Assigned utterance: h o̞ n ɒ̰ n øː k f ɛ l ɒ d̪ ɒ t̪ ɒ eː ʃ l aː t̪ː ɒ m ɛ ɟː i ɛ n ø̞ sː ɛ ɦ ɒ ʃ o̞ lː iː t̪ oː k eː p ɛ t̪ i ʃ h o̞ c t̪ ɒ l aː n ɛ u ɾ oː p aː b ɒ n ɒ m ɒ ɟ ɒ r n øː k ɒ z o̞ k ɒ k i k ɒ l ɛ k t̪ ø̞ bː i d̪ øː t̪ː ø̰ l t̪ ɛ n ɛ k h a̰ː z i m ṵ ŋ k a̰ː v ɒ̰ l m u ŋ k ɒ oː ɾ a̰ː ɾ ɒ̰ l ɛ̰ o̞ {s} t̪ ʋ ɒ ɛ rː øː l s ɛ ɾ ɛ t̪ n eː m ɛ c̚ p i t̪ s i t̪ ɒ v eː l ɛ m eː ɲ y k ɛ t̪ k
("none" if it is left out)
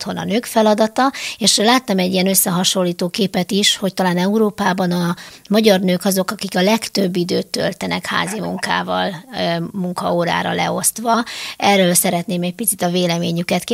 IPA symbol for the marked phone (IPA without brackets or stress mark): s